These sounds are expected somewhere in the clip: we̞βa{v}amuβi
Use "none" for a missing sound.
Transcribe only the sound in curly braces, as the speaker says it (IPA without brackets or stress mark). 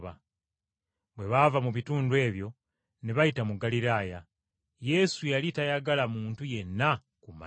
v